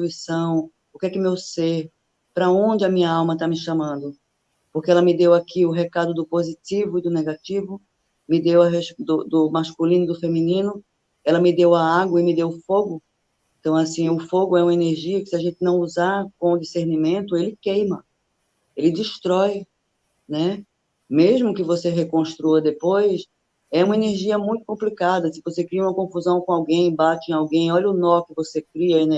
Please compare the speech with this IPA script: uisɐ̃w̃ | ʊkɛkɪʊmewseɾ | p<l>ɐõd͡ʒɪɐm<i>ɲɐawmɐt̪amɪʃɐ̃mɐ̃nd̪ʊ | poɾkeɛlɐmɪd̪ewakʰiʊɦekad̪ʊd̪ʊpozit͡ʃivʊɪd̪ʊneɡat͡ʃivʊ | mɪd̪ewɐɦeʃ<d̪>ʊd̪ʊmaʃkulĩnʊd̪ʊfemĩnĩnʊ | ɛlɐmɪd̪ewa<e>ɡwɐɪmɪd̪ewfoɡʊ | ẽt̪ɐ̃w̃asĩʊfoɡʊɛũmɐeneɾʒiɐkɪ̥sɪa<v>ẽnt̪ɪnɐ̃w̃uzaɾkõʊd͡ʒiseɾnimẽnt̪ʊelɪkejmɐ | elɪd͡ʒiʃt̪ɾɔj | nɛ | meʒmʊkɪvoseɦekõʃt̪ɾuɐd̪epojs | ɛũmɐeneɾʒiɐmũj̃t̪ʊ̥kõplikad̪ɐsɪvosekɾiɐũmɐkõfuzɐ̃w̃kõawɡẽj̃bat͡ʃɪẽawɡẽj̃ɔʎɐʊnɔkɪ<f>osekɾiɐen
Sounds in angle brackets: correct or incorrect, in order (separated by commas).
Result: incorrect, incorrect, correct, incorrect, incorrect, incorrect